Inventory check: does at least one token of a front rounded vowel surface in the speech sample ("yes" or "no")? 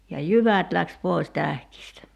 yes